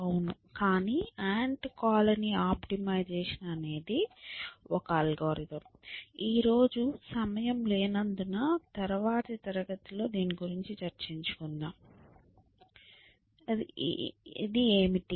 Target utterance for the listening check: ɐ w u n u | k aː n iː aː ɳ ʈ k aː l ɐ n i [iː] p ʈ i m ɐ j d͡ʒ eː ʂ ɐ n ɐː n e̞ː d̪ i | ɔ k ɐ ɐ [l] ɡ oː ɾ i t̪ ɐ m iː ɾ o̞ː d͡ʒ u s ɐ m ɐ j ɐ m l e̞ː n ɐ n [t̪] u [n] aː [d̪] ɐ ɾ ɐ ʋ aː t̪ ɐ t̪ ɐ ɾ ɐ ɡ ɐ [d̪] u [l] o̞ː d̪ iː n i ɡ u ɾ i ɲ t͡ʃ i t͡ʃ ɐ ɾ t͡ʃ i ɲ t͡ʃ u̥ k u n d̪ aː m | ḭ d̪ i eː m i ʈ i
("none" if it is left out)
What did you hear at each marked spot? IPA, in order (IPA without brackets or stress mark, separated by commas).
aː, l, d̪, n, t̪, t̪, l